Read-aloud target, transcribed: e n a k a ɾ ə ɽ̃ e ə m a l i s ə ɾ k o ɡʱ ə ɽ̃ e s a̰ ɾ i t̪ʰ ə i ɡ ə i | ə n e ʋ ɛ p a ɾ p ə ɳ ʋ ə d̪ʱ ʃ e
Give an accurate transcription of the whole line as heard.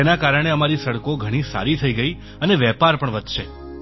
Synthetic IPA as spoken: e n a k a ɾ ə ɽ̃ e ə m a ɾ i s ə ɽ k o ɡʱ ə ɽ̃ i s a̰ ɾ i t̪ʰ ə i ɡ ə i | ə n e ʋ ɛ p a ɾ p ə ɳ ʋ ə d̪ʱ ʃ e